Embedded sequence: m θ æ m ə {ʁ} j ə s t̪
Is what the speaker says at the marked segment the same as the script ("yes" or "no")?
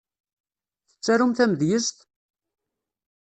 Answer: no